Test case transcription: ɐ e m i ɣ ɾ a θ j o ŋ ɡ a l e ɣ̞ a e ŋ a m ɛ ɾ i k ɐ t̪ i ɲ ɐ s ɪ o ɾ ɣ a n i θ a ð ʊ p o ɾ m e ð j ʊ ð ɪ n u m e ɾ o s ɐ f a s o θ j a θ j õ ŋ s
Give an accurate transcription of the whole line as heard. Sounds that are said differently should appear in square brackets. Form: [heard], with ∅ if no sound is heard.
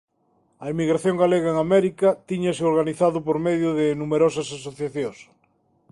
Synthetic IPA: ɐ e m i ɣ ɾ a θ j o ŋ ɡ a l e ɣ̞ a e ŋ a m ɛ ɾ i k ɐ t̪ i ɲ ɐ s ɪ o ɾ ɣ a n i θ a ð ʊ p o ɾ m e ð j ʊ ð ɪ n u m e ɾ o s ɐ [s] a s o θ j a θ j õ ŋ s